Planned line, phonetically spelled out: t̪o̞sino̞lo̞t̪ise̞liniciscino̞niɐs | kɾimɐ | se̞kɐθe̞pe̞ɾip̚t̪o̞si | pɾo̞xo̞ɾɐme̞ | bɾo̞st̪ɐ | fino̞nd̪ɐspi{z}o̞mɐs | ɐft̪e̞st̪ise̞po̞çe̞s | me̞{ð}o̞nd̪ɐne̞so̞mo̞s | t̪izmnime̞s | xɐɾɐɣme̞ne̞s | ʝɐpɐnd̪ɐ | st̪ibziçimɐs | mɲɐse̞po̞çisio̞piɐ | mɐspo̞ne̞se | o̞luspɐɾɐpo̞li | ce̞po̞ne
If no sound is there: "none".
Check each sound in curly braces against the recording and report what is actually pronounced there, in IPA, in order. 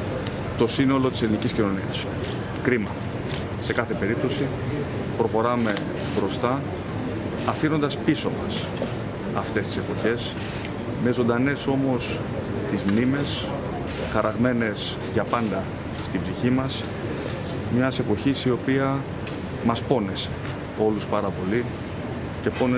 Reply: s, z

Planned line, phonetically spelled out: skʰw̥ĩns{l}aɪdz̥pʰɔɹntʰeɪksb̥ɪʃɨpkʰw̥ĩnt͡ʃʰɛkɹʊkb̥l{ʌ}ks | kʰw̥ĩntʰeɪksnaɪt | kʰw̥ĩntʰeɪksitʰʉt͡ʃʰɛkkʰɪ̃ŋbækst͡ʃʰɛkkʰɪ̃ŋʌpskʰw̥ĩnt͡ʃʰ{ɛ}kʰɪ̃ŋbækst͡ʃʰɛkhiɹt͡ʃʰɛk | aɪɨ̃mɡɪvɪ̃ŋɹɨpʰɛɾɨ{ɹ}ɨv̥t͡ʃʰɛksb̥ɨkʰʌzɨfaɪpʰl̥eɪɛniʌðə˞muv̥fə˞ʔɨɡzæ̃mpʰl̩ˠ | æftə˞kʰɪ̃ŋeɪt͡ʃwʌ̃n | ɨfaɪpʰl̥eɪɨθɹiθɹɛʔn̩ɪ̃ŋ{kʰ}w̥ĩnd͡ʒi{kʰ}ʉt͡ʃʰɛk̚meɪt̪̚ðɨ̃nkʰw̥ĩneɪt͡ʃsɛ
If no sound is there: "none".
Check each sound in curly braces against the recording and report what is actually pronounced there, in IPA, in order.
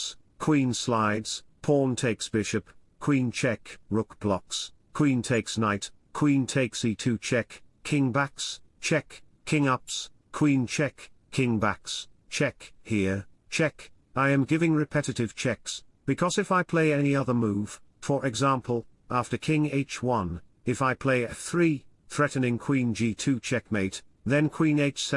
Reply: l, ɑ, ɛ, ɾ, kʰ, tʰ

